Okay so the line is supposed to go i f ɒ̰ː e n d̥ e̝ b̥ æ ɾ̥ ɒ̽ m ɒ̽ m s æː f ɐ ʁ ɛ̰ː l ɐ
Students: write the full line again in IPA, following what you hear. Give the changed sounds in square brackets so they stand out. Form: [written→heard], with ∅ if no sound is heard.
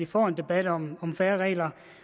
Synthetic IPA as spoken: i f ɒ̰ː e n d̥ e̝ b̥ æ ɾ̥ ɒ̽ m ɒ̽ m [s→f] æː [f→∅] ɐ ʁ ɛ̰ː l ɐ